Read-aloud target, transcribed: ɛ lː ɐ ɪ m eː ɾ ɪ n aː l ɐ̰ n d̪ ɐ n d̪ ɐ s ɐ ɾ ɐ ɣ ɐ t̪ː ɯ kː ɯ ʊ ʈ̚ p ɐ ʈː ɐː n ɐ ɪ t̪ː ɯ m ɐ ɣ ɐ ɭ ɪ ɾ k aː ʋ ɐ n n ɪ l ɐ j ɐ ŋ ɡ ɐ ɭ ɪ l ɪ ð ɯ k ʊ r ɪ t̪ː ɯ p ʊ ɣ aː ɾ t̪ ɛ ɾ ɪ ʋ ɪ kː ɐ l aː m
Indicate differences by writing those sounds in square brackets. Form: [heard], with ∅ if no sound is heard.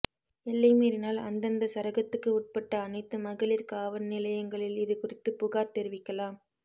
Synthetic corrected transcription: ɛ lː ɐ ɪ m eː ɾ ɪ n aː l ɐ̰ n d̪ ɐ n d̪ ɐ s ɐ ɾ ɐ ɣ ɐ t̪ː ɯ kː ɯ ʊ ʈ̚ p ɐ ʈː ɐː n ɐ ɪ t̪ː ɯ m ɐ ɣ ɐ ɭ ɪ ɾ k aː ʋ ɐ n n ɪ l ɐ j ɐ ŋ ɡ ɐ ɭ ɪ l ɪ ð ɯ k ʊ r ɪ t̪ː ɯ p ʊ ɣ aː ɾ t̪ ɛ ɾ ɪ ʋ ɪ kː ɐ l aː m

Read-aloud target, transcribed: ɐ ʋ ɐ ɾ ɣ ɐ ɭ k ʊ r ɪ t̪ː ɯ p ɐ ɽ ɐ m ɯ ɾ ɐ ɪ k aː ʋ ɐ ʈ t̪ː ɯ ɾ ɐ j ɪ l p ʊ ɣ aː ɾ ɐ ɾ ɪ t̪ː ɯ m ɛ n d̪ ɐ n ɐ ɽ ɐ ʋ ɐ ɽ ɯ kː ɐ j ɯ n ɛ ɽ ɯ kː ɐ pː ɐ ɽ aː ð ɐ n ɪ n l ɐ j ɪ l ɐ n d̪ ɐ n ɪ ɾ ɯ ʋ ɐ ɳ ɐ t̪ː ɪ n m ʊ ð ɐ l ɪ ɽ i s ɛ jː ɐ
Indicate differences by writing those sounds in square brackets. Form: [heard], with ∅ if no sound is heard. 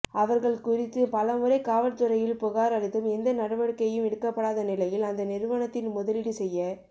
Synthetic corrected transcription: ɐ ʋ ɐ ɾ ɣ ɐ ɭ k ʊ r ɪ t̪ː ɯ p ɐ [l] ɐ m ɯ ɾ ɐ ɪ k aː ʋ ɐ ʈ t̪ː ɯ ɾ ɐ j ɪ l p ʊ ɣ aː ɾ ɐ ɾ ɪ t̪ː ɯ m ɛ n d̪ ɐ n ɐ ɽ ɐ ʋ ɐ ɽ ɯ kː ɐ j ɯ [m] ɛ ɽ ɯ kː ɐ pː ɐ ɽ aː ð ɐ n ɪ [∅] l ɐ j ɪ l ɐ n d̪ ɐ n ɪ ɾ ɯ ʋ ɐ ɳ ɐ t̪ː ɪ n m ʊ ð ɐ l ɪ ɽ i s ɛ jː ɐ

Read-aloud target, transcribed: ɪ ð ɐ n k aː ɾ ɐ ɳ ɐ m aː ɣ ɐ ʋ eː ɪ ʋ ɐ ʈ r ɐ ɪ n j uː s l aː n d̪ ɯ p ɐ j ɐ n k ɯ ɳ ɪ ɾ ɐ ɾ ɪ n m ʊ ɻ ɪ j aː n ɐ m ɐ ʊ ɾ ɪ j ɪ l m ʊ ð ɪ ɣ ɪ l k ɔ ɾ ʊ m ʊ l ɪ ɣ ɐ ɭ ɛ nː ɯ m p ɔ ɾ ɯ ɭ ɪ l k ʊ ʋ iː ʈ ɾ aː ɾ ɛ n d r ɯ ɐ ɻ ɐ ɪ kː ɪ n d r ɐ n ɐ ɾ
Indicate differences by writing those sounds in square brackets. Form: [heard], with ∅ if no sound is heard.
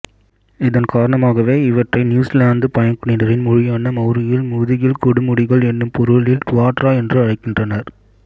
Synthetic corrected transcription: ɪ ð ɐ n k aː ɾ ɐ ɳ ɐ m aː ɣ ɐ ʋ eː ɪ ʋ ɐ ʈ r ɐ ɪ n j uː s l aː n d̪ ɯ p ɐ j ɐ n k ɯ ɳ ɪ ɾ ɐ ɾ ɪ n m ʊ ɻ ɪ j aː n ɐ m ɐ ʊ ɾ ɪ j ɪ l m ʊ ð ɪ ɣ ɪ l k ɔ [ɽ] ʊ m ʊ [ɽ] ɪ ɣ ɐ ɭ ɛ nː ɯ m p ɔ ɾ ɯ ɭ ɪ l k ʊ ʋ [aː] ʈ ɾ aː [∅] ɛ n d r ɯ ɐ ɻ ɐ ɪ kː ɪ n d r ɐ n ɐ ɾ

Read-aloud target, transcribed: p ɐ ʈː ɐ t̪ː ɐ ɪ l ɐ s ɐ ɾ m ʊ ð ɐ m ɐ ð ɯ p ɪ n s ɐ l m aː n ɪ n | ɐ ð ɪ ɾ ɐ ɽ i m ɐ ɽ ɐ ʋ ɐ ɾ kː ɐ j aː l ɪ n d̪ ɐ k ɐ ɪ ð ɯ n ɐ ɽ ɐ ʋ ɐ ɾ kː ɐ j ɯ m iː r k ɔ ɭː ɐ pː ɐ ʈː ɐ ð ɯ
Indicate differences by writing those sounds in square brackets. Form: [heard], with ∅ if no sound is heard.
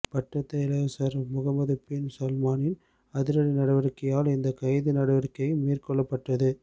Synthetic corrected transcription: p ɐ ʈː ɐ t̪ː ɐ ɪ l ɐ s ɐ ɾ m ʊ [ɣ] ɐ m ɐ ð ɯ p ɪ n s ɐ l m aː n ɪ n | ɐ ð ɪ ɾ ɐ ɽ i [n] ɐ ɽ ɐ ʋ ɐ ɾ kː ɐ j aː l ɪ n d̪ ɐ k ɐ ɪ ð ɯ n ɐ ɽ ɐ ʋ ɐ ɾ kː ɐ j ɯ m iː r k ɔ ɭː ɐ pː ɐ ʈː ɐ ð ɯ

